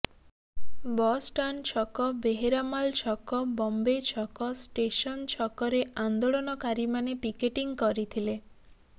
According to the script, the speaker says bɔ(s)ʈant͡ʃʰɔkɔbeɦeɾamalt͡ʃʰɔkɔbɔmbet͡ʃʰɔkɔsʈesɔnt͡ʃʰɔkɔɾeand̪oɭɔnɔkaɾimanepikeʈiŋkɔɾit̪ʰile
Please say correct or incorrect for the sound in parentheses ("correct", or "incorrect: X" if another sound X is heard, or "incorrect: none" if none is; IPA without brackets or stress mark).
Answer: correct